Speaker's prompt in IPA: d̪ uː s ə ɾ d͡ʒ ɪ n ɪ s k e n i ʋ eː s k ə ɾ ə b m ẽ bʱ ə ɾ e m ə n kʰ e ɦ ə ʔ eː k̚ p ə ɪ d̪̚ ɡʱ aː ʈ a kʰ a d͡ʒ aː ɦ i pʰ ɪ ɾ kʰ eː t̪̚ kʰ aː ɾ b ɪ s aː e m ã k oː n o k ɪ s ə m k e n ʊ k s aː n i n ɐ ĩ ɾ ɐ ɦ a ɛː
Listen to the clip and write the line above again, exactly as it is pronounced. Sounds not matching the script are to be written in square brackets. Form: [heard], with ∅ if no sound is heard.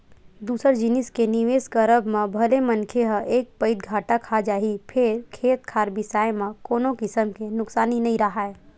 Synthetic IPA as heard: d̪ uː s ə ɾ d͡ʒ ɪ n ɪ s k e n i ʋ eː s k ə ɾ ə b m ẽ bʱ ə [l] e m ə n kʰ e ɦ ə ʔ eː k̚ p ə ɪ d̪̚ ɡʱ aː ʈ a kʰ a d͡ʒ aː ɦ i pʰ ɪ ɾ kʰ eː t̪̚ kʰ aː ɾ b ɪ s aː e m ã k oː n o k ɪ s ə m k e n ʊ k s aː n i n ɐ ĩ ɾ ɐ ɦ a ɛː